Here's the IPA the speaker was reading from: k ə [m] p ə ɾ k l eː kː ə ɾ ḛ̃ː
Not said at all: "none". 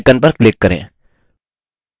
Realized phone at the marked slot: n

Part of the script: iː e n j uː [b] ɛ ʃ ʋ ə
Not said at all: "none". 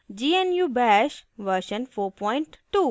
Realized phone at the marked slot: b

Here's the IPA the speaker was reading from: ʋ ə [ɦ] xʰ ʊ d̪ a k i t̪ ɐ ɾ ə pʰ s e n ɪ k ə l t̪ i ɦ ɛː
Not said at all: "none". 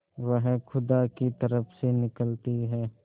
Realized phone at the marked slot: ɦ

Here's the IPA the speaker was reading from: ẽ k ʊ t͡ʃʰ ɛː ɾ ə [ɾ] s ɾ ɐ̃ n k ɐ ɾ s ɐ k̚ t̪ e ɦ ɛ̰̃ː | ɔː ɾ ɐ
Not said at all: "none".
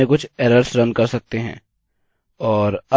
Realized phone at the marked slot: ɾ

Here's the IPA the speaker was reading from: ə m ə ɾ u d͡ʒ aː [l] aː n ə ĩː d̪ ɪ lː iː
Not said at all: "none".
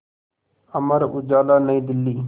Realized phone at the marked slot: l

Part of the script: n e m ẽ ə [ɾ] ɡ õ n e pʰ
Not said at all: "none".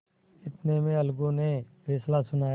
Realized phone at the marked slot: l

